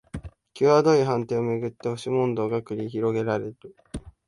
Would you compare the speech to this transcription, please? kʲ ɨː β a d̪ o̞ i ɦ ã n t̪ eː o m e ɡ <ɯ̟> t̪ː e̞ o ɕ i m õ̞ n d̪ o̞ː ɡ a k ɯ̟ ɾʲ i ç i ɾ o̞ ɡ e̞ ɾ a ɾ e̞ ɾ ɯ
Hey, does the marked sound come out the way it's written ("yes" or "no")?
yes